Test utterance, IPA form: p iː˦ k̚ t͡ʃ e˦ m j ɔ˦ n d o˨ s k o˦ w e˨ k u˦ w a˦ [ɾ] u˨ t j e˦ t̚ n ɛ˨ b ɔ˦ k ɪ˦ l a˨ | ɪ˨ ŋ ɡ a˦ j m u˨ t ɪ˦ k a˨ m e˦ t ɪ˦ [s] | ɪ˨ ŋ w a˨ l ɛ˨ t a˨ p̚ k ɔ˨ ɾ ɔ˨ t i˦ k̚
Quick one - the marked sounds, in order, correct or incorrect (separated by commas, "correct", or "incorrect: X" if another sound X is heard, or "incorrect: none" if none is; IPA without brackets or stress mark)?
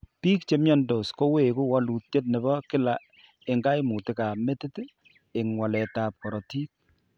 incorrect: l, incorrect: t